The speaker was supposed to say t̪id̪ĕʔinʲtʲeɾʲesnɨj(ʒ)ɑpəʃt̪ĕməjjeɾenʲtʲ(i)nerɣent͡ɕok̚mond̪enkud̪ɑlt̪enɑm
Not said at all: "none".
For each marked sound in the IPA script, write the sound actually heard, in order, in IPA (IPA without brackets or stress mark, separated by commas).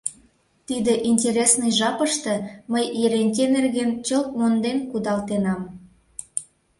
ʒ, e